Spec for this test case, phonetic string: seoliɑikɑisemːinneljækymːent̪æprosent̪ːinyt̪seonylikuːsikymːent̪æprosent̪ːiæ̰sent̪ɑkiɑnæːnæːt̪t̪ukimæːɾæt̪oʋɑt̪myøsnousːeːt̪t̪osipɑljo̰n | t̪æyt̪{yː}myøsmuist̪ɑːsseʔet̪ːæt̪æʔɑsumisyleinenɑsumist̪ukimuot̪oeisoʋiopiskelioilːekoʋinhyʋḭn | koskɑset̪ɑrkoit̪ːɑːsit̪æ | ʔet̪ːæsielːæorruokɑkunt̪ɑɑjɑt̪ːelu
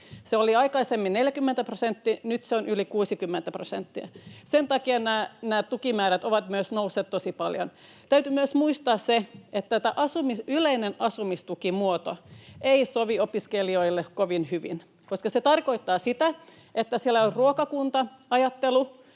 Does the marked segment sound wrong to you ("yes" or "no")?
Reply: yes